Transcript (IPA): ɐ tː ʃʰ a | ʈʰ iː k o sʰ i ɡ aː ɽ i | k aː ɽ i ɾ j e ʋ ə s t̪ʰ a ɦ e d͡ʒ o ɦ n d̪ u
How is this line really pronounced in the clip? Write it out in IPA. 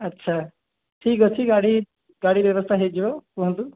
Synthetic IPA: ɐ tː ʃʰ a | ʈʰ iː k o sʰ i ɡ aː ɽ i | ɡ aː ɽ i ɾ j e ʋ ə s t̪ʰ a ɦ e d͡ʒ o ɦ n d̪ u